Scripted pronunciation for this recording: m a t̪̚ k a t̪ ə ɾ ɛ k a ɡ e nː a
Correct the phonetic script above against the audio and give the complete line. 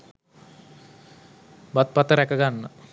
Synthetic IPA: b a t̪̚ p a t̪ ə ɾ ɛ k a ɡ a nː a